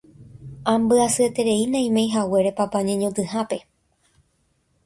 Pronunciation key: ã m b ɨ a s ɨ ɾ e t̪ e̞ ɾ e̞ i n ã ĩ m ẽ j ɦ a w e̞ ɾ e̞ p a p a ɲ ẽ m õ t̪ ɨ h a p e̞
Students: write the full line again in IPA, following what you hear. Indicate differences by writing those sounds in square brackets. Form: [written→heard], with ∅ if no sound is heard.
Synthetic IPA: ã m b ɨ a s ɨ [ɾ→∅] e t̪ e̞ ɾ e̞ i n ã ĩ m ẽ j ɦ a w e̞ ɾ e̞ p a p a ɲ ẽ [m→ɲ] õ t̪ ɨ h a p e̞

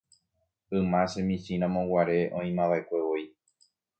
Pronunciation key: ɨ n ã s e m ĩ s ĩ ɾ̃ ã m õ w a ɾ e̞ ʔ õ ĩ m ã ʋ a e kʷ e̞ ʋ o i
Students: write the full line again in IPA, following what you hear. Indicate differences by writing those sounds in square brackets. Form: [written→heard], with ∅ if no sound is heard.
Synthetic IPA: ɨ [n→m] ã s e m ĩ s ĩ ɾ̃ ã m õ w a ɾ e̞ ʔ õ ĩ m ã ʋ a e kʷ e̞ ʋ o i

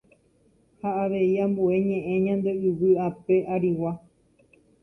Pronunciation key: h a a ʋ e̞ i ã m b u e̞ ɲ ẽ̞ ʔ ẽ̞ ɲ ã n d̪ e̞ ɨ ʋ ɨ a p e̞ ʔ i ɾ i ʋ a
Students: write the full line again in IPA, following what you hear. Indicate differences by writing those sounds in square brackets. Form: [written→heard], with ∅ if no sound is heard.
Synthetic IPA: h a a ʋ e̞ i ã m b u e̞ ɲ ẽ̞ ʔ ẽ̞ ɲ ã n d̪ e̞ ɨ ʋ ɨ a p e̞ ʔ [i→a] ɾ i [ʋ→w] a

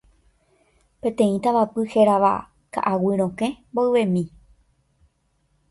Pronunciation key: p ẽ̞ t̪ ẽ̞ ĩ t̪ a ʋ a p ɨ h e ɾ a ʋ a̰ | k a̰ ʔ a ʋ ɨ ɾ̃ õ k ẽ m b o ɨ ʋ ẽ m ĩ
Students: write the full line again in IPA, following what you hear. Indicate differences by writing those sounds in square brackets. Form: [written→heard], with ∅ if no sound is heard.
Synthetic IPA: p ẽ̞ t̪ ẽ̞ ĩ t̪ a ʋ a p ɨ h e ɾ a ʋ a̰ | k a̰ ʔ a [ʋ→w] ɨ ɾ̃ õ k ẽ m b o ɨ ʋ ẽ m ĩ

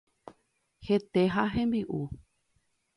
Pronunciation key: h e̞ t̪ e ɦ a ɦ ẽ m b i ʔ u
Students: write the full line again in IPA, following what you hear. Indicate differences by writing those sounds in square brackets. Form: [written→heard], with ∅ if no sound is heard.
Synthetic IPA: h e̞ t̪ e ɦ a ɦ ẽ m b i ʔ u

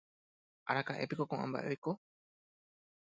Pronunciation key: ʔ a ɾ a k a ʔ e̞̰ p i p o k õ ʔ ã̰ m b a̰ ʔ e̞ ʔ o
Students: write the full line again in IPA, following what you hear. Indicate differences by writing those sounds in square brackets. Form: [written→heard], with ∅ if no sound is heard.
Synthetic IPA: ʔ a ɾ a k a ʔ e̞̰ p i [p→k] o k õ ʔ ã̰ m b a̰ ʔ e̞ [ʔ→k] o

